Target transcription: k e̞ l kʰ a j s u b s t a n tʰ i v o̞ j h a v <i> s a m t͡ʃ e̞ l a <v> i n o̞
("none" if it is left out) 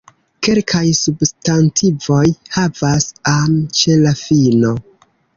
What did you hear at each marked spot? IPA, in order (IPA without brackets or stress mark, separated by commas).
a, f